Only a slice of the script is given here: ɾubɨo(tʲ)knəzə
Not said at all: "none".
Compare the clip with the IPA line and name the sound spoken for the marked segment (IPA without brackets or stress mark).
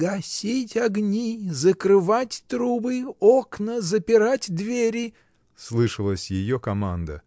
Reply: none